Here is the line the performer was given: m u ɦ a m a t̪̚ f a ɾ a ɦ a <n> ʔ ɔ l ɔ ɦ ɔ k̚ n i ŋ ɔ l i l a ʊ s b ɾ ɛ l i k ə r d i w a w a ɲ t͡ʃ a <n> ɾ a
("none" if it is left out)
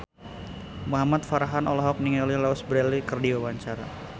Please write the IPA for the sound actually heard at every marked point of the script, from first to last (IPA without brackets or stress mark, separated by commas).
n, none